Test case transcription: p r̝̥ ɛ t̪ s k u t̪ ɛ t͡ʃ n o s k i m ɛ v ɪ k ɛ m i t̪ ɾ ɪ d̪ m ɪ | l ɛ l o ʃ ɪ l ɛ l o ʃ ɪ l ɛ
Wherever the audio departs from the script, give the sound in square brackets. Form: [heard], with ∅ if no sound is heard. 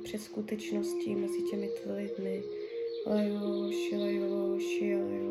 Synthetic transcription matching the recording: p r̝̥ ɛ t̪ s k u t̪ ɛ t͡ʃ n o s [c] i m ɛ [z] ɪ [c] ɛ m [ɪ] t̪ [l] ɪ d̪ m ɪ | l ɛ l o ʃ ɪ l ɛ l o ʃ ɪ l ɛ